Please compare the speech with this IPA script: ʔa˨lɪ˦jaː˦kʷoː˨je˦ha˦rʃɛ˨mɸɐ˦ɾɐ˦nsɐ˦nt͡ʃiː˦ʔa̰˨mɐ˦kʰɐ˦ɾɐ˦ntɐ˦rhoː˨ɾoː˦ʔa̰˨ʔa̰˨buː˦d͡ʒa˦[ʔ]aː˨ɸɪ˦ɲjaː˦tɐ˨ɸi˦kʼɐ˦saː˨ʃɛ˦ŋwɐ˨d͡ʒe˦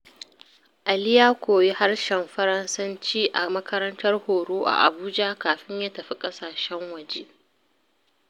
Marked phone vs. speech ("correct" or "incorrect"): incorrect